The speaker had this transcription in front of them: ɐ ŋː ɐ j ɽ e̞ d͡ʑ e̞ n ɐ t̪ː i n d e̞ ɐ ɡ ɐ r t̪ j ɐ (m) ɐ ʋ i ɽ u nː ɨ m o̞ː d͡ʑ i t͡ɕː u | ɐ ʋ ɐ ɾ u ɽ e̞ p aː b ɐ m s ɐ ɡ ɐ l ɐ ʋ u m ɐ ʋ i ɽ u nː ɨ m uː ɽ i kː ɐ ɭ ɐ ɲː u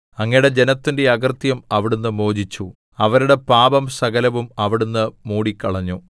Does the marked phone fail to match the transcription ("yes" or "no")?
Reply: no